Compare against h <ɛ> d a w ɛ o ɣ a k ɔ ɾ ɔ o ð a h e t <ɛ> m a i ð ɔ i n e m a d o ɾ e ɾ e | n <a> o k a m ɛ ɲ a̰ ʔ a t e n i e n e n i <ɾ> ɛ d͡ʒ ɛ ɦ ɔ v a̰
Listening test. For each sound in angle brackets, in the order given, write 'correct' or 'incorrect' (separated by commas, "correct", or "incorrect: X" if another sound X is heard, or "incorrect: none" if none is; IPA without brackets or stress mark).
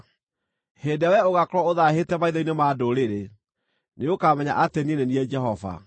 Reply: incorrect: e, correct, incorrect: e, incorrect: none